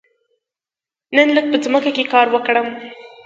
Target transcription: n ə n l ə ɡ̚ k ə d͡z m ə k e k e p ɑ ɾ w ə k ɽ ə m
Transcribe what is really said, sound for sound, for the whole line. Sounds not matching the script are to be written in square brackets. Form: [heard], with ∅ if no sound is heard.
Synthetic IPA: n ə n l ə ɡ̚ [p] ə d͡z m ə k [a] k e [k] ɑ ɾ w ə k ɽ ə m